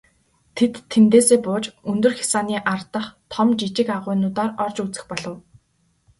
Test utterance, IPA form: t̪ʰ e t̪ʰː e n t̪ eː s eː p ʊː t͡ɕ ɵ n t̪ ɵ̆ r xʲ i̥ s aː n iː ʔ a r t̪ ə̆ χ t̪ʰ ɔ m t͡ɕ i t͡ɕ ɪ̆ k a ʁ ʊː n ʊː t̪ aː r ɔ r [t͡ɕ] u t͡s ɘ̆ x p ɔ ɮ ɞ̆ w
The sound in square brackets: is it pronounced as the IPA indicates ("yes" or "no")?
yes